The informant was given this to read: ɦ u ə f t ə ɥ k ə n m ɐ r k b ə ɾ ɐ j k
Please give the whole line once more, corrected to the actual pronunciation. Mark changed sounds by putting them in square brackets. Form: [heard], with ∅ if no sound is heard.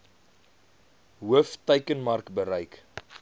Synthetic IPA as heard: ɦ u ə f t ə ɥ k ə n m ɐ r k b ə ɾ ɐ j k